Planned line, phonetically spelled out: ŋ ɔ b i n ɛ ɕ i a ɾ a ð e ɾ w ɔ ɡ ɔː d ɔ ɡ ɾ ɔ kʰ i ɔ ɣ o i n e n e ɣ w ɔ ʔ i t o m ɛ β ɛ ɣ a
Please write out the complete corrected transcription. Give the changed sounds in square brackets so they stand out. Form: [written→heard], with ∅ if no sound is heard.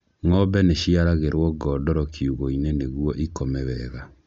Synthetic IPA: ŋ ɔ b [i→ɛ] n [ɛ→e] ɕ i a ɾ a [ð→ɣ] e ɾ w ɔ ɡ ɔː d ɔ [ɡ→∅] ɾ ɔ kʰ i [ɔ→u] ɣ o i n e n e ɣ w ɔ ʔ i [t→k] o m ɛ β ɛ ɣ a